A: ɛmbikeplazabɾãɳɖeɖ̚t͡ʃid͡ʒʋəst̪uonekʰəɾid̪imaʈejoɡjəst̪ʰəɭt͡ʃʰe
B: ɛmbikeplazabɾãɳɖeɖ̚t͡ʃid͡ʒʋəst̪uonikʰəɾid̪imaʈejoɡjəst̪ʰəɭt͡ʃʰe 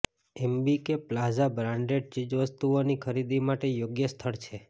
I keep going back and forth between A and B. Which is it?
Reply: B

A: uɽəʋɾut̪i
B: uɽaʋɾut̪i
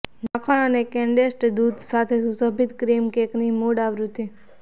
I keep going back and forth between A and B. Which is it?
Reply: B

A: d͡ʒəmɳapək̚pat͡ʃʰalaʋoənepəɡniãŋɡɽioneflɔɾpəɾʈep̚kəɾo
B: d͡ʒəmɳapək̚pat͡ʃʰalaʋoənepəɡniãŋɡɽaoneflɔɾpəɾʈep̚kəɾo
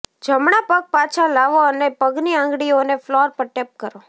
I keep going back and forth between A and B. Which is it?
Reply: A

